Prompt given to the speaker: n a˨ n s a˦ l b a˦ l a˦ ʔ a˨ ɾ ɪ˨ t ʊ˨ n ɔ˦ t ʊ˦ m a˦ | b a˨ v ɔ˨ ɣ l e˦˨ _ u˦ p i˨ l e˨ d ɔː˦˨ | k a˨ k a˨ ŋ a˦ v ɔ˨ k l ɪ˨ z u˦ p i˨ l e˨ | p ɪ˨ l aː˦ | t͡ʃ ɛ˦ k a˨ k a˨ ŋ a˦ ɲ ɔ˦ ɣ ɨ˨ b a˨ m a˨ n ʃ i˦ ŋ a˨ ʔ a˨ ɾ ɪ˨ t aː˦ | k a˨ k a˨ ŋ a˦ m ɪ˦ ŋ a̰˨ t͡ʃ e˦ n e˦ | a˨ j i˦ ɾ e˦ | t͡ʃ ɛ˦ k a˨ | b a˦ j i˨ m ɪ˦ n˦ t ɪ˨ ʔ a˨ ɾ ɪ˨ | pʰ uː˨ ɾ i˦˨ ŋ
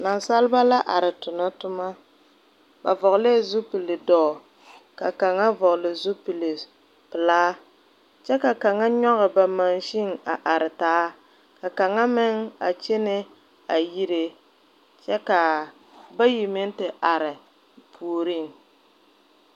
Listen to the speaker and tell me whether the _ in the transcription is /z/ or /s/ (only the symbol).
z